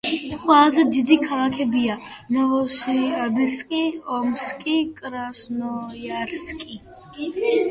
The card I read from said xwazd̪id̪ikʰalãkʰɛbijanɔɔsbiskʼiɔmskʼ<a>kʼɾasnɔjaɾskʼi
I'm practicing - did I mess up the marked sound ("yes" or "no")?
yes